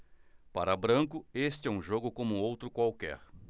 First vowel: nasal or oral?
oral